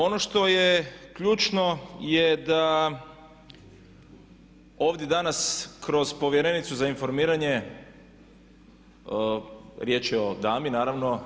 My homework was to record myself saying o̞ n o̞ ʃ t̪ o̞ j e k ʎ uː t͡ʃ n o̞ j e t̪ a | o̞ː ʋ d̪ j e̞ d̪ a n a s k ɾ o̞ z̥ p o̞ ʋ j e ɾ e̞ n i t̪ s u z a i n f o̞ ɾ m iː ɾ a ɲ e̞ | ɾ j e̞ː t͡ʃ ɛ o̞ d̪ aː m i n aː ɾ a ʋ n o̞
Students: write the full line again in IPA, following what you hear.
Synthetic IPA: o̞ n o̞ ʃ t̪ o̞ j e k ʎ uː t͡ʃ n o̞ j e d̪ a | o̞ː ʋ d̪ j e̞ d̪ a n a s k ɾ o̞ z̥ p o̞ ʋ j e ɾ e̞ n i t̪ s u z a i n f o̞ ɾ m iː ɾ a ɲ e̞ | ɾ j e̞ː t͡ʃ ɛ o̞ d̪ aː m i n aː ɾ a ʋ n o̞